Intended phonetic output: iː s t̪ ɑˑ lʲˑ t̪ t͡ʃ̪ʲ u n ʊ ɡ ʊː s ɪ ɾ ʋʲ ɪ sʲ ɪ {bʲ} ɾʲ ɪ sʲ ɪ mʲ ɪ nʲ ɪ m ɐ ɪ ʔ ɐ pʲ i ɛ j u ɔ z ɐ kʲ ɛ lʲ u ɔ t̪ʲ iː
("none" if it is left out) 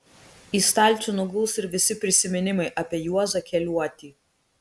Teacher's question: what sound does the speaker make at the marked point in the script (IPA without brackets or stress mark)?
pʲ